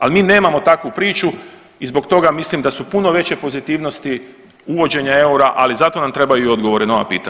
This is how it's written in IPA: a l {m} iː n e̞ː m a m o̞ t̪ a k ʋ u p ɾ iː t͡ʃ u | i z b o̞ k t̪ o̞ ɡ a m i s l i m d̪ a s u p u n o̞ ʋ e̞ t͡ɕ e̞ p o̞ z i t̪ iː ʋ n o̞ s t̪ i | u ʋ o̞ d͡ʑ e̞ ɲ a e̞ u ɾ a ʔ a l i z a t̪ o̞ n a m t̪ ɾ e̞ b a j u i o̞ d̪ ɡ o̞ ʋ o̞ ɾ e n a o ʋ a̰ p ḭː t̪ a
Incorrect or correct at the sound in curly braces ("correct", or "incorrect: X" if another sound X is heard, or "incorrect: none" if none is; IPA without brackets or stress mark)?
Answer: correct